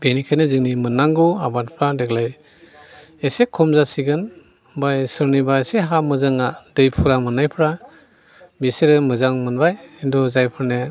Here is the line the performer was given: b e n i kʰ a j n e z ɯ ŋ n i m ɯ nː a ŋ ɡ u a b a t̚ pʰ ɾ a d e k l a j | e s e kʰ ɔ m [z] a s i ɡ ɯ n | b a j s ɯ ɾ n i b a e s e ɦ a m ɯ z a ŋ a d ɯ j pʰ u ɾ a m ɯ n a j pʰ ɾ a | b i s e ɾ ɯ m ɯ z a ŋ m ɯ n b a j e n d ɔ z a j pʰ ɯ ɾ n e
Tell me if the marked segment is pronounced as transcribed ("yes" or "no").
yes